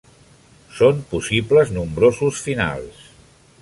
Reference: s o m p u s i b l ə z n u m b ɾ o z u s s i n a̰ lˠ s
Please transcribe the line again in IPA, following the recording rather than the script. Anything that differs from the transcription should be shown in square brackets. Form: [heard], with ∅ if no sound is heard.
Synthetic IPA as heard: s o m p u s i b l ə z n u m b ɾ o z u s [f] i n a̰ lˠ s